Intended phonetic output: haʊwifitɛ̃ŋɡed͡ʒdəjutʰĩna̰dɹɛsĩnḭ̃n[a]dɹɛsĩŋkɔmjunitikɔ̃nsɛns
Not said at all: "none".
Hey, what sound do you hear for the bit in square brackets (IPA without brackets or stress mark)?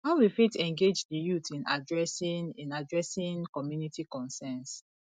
a